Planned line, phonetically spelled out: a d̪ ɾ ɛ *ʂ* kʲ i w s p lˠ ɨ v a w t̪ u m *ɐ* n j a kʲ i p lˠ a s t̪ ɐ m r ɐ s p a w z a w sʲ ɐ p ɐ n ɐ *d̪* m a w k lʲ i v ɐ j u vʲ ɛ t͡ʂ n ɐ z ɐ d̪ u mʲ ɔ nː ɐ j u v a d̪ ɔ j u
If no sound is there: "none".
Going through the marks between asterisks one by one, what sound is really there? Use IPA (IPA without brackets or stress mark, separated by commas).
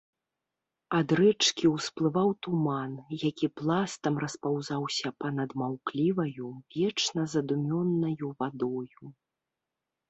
t͡ʂ, a, d̪